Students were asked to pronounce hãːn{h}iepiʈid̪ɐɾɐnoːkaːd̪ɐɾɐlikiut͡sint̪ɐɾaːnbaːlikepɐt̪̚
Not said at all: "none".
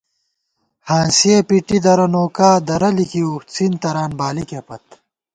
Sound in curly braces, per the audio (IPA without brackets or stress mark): s